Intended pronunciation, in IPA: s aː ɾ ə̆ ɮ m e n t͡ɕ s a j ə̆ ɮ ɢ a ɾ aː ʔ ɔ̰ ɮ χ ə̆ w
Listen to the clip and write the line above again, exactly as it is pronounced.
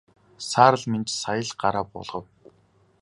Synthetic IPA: s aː ɾ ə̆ ɮ m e n t͡ɕ s a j ə̆ ɮ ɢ a ɾ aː p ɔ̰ ɮ ʁ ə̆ w